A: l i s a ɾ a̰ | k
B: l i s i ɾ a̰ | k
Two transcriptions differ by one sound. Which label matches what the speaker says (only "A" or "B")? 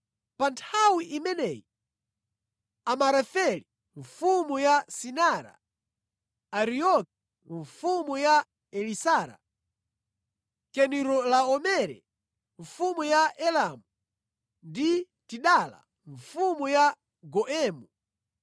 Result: A